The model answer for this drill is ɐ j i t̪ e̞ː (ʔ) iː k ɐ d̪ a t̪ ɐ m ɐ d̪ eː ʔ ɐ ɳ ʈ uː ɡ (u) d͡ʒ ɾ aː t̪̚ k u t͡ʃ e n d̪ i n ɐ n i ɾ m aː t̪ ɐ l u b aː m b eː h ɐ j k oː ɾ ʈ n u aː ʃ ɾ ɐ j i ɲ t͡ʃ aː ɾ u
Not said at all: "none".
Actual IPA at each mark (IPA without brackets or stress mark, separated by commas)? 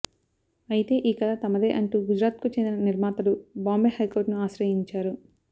ʔ, u